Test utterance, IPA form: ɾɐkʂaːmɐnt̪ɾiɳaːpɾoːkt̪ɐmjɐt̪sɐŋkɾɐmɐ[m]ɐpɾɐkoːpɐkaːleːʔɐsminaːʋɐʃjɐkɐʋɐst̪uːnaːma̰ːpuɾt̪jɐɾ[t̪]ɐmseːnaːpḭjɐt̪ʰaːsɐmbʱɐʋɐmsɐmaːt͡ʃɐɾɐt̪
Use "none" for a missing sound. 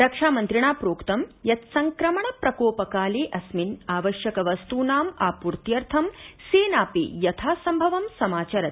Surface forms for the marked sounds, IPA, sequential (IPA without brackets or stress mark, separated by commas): ɳ, t̪ʰ